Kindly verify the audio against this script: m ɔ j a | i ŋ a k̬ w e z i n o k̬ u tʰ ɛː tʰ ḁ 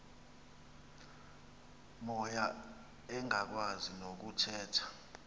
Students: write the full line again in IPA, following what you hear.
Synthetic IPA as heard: m ɔ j a | ɛ ŋ a k̬ w a z i n o k̬ u tʰ ɛː tʰ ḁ